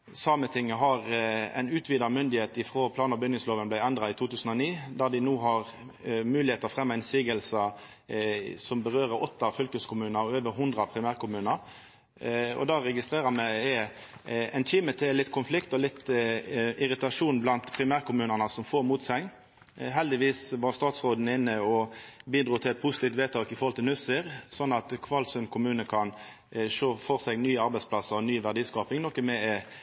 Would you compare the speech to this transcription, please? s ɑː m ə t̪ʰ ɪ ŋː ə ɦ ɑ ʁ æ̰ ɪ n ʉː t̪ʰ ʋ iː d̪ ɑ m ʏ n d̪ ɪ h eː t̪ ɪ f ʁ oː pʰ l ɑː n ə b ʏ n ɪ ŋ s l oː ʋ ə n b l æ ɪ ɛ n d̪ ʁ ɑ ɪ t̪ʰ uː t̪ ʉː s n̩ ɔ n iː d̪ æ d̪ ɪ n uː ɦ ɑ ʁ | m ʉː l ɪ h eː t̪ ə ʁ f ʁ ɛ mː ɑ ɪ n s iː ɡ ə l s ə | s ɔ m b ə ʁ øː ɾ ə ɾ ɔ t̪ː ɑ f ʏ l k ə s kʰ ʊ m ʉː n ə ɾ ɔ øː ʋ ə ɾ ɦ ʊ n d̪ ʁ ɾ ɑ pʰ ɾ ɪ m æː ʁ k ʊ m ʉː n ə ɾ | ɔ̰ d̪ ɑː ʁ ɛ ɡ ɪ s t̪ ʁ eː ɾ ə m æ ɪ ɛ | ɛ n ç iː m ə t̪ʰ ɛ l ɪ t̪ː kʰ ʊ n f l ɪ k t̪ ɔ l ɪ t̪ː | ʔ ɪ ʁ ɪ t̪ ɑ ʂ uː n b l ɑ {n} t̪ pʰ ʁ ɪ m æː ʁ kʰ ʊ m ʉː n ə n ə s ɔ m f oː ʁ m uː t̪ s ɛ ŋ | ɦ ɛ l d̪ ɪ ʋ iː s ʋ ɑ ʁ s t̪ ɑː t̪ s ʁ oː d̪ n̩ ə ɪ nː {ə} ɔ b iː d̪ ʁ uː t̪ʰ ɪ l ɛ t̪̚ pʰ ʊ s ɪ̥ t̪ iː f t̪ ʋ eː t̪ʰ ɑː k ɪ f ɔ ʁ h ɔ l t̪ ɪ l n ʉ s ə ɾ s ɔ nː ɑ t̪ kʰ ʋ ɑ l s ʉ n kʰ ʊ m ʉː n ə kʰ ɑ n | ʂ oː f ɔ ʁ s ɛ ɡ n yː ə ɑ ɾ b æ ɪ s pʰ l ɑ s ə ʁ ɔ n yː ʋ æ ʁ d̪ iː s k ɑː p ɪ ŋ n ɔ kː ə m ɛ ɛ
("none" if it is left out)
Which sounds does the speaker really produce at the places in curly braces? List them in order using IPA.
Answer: n, ə

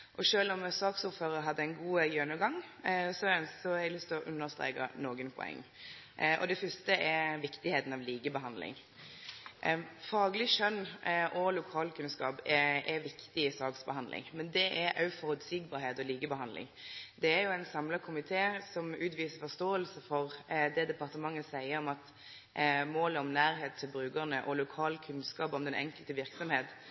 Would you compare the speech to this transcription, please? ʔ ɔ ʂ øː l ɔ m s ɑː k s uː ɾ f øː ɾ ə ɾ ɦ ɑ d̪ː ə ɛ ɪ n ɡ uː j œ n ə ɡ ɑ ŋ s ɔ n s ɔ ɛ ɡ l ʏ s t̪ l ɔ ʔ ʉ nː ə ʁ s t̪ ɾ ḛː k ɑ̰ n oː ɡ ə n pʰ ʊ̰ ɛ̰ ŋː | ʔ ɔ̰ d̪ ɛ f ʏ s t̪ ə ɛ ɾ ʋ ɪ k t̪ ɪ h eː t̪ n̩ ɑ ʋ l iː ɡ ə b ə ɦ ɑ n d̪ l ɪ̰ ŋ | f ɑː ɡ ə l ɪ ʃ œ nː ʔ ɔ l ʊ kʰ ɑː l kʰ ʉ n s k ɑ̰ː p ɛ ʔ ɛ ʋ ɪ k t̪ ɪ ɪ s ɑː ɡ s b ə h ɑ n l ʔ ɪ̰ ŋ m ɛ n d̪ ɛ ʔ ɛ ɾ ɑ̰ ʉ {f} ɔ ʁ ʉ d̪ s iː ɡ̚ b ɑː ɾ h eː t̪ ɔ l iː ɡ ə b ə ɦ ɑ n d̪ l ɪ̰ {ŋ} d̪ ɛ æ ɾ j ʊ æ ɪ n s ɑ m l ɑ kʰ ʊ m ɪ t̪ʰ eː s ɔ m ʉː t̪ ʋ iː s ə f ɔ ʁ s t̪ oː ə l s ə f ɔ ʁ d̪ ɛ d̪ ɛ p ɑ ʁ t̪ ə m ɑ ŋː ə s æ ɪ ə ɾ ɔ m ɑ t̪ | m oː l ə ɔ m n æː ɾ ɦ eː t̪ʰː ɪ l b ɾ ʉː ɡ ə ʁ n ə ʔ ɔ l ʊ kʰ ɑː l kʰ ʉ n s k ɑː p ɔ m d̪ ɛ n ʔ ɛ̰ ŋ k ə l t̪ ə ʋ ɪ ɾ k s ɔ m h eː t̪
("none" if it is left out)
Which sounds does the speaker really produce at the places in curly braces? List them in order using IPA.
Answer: f, ŋ

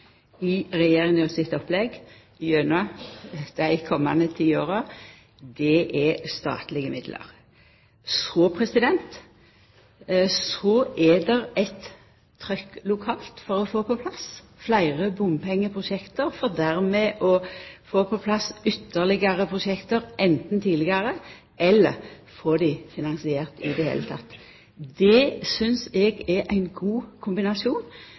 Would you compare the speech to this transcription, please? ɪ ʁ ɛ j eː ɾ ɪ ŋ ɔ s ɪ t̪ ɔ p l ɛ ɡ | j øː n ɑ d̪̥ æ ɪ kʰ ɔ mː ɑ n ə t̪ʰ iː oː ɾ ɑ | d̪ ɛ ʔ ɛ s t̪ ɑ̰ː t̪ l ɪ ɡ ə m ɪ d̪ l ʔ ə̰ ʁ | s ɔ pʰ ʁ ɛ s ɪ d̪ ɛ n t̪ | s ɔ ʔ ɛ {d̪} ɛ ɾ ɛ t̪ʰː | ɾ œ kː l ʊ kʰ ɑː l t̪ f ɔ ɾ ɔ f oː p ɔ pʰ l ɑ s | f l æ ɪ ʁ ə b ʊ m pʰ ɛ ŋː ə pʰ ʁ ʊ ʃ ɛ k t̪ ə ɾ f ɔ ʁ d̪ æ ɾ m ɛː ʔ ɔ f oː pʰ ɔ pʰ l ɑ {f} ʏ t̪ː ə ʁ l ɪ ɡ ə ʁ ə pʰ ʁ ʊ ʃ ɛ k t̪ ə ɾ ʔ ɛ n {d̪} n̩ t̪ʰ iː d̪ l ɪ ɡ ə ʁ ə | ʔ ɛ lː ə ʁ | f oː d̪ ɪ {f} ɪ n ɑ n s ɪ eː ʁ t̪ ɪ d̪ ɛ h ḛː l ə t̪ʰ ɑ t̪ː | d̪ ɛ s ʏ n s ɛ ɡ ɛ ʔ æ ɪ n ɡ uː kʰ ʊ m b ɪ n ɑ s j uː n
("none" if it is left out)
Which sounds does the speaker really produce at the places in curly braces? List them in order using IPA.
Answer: d̪, s, t̪, f

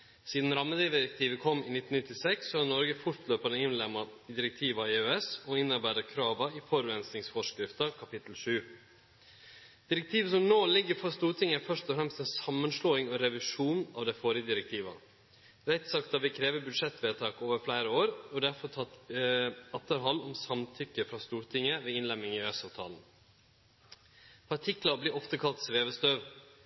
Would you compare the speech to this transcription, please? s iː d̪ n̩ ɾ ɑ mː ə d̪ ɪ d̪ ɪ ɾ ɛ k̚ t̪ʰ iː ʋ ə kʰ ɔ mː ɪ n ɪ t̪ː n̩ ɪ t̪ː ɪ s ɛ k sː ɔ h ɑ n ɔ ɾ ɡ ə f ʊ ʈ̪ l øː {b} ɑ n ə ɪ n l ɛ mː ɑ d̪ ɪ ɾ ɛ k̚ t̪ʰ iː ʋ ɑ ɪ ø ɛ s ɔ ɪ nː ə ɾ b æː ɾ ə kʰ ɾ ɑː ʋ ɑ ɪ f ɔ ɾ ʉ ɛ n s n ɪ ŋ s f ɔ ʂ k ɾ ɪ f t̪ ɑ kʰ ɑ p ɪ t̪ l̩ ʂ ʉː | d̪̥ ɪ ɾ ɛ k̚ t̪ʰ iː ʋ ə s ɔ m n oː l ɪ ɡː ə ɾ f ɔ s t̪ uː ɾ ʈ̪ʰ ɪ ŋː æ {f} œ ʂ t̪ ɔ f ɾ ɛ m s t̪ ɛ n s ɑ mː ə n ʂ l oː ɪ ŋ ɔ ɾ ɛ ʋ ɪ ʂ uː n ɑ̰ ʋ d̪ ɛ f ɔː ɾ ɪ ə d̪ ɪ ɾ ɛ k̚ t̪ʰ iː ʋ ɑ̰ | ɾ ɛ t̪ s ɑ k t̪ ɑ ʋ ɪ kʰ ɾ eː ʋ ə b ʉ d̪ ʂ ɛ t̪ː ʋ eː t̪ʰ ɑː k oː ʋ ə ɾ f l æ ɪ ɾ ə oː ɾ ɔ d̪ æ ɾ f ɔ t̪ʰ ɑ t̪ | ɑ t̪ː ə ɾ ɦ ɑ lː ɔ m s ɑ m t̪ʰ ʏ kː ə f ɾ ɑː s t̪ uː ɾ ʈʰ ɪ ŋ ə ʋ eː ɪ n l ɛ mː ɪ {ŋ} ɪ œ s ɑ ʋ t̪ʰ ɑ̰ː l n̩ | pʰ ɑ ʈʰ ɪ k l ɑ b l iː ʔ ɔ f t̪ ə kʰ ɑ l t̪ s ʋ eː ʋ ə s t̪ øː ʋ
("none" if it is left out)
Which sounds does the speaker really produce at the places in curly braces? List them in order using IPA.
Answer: p, f, ŋ

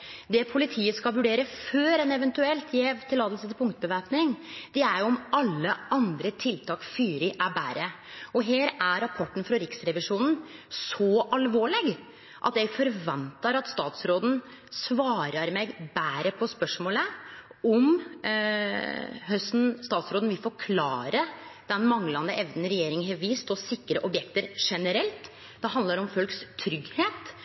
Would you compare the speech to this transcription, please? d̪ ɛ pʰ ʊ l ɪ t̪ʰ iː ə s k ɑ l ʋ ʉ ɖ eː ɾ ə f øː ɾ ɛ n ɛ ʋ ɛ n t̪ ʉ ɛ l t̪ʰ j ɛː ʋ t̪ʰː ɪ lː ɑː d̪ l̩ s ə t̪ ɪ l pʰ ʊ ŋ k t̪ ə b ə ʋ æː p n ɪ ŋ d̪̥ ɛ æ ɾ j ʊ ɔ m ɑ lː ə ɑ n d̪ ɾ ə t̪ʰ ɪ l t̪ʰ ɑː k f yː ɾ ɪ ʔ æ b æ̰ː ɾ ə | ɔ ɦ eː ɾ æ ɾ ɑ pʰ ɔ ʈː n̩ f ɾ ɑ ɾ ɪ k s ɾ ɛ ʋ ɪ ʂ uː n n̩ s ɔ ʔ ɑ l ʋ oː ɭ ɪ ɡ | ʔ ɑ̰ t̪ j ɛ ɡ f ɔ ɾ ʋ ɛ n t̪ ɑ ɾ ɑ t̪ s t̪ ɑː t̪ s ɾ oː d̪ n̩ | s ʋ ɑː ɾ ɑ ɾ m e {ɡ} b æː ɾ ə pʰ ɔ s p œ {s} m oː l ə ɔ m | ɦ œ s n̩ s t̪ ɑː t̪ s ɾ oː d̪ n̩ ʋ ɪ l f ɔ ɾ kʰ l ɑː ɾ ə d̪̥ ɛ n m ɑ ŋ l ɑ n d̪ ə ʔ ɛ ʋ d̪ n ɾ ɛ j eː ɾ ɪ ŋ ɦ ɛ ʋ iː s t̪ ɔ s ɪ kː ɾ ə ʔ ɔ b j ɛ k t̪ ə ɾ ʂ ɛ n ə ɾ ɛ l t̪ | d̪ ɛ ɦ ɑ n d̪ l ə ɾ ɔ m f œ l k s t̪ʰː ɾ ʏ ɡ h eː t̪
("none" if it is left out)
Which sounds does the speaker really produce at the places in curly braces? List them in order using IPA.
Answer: ɡ, ʂ

